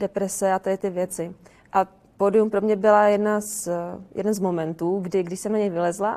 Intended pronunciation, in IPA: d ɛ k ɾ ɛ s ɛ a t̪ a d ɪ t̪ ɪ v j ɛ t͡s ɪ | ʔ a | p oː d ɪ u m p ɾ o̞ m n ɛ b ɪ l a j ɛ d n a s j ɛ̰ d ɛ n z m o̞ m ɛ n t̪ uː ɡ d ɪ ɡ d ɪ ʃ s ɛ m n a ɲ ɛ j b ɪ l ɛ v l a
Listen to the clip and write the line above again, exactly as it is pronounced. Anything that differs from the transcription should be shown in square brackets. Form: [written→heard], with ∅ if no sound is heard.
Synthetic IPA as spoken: d ɛ [k→p] ɾ ɛ s ɛ a t̪ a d ɪ t̪ ɪ v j ɛ t͡s ɪ | ʔ a | p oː d ɪ u m p ɾ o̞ m [n→ɲ] ɛ b ɪ l a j ɛ d n a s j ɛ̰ d ɛ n z m o̞ m ɛ n t̪ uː ɡ d ɪ ɡ d ɪ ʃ s ɛ m n a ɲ ɛ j [b→v] ɪ l ɛ [v→z] l a